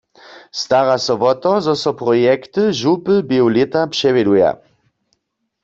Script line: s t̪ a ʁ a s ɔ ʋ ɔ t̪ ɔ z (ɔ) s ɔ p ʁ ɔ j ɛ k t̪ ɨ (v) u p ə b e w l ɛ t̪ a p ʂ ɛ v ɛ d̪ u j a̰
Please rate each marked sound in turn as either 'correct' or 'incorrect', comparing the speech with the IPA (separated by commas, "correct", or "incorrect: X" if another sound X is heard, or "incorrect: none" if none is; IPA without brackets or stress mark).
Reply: correct, incorrect: ʒ